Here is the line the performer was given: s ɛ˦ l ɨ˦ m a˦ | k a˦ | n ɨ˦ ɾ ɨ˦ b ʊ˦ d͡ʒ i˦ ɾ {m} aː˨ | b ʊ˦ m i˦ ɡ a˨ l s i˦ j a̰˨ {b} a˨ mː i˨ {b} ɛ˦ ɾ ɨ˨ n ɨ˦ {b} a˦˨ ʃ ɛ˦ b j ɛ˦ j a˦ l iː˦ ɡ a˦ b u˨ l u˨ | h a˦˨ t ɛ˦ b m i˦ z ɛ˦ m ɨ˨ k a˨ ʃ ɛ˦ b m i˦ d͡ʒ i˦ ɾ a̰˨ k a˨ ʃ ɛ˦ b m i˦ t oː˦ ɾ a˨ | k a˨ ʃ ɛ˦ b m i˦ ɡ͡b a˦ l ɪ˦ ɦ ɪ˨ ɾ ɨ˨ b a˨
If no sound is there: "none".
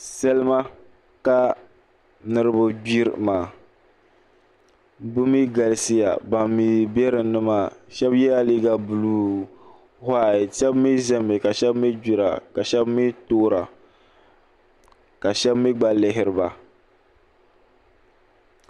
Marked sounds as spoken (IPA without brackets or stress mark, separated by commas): m, b, b, m